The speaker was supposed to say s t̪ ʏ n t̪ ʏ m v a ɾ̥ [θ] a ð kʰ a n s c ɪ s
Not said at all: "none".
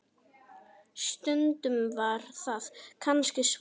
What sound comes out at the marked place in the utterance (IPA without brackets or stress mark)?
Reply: θ